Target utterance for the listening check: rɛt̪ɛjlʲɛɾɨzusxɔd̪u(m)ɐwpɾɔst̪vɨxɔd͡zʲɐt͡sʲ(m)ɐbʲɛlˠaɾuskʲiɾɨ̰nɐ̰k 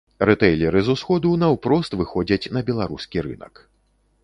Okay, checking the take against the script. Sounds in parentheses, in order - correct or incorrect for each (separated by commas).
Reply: incorrect, incorrect